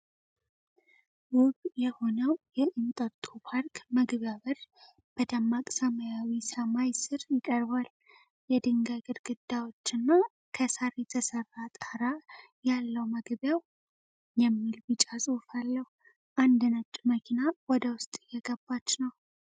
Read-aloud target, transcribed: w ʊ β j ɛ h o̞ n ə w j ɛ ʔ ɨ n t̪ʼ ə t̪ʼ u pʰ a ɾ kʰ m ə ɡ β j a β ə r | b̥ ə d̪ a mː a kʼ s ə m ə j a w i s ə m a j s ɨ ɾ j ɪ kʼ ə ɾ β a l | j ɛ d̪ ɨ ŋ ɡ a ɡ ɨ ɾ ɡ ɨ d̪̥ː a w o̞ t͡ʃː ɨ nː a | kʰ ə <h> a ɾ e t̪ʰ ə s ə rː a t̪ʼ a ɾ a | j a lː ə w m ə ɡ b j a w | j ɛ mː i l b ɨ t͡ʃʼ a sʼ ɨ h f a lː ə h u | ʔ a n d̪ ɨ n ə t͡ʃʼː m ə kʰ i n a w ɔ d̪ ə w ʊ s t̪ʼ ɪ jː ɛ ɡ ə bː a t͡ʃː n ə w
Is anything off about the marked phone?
yes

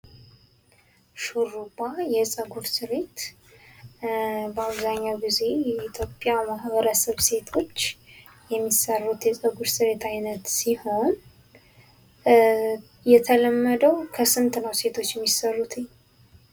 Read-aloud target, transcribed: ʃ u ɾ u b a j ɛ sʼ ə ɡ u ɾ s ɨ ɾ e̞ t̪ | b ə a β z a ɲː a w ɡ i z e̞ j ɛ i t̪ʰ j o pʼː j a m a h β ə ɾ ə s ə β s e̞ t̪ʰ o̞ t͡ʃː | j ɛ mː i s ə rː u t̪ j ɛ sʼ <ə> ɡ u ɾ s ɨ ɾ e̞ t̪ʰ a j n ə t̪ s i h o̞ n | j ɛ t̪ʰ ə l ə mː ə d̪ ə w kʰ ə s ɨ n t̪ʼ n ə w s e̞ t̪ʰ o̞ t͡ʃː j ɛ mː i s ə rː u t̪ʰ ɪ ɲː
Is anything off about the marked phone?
no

